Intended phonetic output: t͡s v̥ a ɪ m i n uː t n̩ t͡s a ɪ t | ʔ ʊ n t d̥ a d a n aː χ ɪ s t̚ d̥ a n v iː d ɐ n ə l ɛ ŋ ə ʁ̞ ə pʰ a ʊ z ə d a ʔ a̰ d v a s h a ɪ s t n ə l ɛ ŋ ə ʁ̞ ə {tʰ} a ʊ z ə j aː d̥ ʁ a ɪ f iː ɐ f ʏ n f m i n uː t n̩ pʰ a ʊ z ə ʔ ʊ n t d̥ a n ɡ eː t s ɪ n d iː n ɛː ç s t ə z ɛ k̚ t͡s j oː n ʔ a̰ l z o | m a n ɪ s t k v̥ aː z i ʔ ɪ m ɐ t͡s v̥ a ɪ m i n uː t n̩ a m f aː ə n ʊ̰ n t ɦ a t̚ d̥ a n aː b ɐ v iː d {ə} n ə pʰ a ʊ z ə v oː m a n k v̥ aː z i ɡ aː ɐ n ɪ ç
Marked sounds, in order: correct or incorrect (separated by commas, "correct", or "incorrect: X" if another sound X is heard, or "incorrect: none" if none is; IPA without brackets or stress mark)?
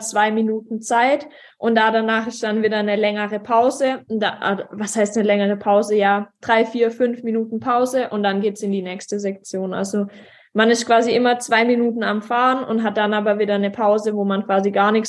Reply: incorrect: pʰ, incorrect: ɐ